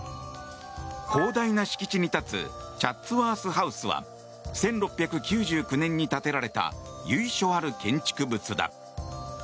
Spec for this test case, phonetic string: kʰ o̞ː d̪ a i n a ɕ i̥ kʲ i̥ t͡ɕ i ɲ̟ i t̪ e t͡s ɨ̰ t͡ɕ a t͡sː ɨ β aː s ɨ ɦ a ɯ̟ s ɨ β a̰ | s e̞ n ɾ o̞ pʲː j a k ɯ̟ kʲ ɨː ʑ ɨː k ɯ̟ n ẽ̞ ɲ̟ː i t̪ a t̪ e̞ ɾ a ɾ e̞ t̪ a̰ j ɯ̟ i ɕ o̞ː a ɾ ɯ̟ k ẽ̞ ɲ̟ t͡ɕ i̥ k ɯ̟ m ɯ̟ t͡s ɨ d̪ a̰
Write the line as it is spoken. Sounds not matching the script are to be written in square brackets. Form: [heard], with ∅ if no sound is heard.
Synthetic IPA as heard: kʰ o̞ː d̪ a i n a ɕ i̥ kʲ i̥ t͡ɕ i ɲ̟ i t̪ [a] t͡s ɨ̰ t͡ɕ a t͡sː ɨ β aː s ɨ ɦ a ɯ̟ s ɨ β a̰ | s [ẽ̞] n ɾ o̞ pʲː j a k ɯ̟ kʲ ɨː ʑ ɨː k ɯ̟ n ẽ̞ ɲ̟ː i t̪ a t̪ e̞ ɾ a ɾ e̞ t̪ a̰ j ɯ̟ i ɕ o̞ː a ɾ ɯ̟ k ẽ̞ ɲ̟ t͡ɕ i̥ k ɯ̟ [b] ɯ̟ t͡s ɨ d̪ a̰